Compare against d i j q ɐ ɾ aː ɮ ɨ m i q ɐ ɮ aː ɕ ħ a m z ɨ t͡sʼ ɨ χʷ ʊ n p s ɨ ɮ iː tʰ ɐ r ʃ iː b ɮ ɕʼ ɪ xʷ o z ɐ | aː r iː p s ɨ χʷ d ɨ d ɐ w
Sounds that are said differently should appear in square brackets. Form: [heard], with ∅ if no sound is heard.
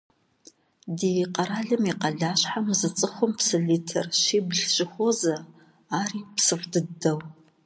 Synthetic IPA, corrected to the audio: d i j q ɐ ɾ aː ɮ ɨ m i q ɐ ɮ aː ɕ ħ a m z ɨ t͡sʼ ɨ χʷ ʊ [m] p s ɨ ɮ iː tʰ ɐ r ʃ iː b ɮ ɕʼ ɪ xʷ o z ɐ | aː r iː p s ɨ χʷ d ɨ d ɐ w

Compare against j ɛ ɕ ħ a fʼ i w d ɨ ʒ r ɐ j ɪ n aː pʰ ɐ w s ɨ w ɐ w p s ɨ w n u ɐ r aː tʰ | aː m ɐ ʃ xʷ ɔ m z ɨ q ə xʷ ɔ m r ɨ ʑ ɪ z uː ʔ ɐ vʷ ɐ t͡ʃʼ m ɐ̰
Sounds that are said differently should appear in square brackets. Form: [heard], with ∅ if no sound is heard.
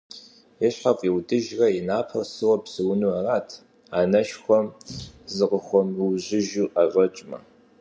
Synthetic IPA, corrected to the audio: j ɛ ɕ ħ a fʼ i w d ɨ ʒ r ɐ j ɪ n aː pʰ ɐ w s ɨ w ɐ [∅] p s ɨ w n u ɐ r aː tʰ | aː [n] ɐ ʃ xʷ ɔ m z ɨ q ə xʷ ɔ m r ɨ ʑ ɪ [ʒ] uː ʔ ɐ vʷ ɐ t͡ʃʼ m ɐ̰

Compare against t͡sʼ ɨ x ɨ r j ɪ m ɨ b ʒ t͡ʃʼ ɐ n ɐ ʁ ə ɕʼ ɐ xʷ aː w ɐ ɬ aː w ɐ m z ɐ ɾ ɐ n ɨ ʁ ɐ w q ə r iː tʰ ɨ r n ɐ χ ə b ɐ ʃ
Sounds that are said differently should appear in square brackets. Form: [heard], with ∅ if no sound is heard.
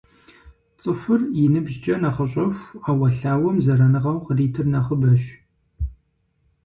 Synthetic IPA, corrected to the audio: t͡sʼ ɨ [f] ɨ r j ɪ [n] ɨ b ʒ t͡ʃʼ ɐ n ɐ [χ] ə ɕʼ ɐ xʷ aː w ɐ ɬ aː w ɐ m z ɐ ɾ ɐ n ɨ ʁ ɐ w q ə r iː tʰ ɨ r n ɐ χ ə b ɐ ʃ

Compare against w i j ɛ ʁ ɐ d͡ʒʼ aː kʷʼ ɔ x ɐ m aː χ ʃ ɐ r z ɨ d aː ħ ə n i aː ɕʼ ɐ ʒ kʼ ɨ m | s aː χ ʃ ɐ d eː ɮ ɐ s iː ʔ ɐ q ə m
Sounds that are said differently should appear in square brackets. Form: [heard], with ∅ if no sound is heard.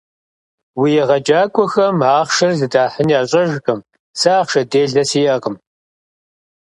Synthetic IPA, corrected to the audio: w i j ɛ ʁ ɐ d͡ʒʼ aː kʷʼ ɔ x ɐ m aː χ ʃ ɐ r z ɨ d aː ħ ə n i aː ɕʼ ɐ ʒ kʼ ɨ m | s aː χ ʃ ɐ d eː ɮ ɐ s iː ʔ ɐ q ə m

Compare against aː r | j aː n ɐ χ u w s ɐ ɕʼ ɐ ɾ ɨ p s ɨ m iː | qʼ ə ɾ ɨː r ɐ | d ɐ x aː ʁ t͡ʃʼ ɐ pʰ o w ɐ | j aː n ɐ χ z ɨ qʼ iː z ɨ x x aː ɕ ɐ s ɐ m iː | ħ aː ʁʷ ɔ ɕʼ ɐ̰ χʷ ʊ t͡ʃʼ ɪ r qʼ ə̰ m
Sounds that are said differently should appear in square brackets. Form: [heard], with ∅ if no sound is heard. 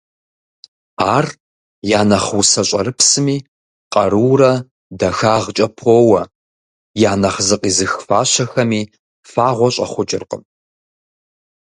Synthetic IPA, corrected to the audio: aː r | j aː n ɐ χ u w s ɐ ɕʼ ɐ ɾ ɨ p s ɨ m iː | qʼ [ɐ] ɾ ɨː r ɐ | d ɐ x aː ʁ t͡ʃʼ ɐ pʰ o w ɐ | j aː n ɐ χ z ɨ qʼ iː z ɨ x [f] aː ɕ ɐ [x] ɐ m iː | [f] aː ʁʷ ɔ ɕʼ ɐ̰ χʷ ʊ t͡ʃʼ ɪ r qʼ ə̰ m

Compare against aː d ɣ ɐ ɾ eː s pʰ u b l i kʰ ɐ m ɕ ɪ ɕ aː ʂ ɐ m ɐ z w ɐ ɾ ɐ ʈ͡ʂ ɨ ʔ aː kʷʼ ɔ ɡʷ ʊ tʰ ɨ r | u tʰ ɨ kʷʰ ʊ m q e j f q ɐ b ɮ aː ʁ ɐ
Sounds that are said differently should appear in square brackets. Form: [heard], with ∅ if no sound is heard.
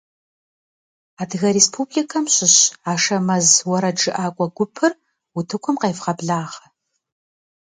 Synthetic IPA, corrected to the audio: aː d ɣ ɐ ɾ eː s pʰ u b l i kʰ ɐ m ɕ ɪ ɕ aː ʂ ɐ m ɐ z w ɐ ɾ ɐ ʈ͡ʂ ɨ ʔ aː kʷʼ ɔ ɡʷ ʊ [pʰ] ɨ r | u tʰ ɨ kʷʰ ʊ m q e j f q ɐ b ɮ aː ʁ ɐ

